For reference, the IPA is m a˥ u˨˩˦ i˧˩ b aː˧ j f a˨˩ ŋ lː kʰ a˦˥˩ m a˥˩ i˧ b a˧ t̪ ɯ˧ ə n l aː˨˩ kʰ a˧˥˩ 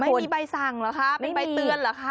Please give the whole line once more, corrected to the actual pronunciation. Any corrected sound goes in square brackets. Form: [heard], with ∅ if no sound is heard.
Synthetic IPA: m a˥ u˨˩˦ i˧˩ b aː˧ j [s] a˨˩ ŋ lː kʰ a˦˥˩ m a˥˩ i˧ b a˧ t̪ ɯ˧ ə n l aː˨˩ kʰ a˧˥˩